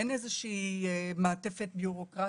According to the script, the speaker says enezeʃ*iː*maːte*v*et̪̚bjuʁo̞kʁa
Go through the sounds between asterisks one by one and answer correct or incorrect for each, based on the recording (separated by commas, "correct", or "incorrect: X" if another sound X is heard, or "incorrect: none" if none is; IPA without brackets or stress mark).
correct, incorrect: f